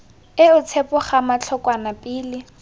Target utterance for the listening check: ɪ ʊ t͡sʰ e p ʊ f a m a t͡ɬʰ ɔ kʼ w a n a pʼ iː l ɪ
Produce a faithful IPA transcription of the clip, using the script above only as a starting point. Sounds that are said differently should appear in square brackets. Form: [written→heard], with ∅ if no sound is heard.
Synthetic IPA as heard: ɪ ʊ t͡sʰ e p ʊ [f→χ] a m a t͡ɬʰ ɔ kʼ w a n a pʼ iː l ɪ